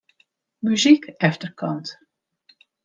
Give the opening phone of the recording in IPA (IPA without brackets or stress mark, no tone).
m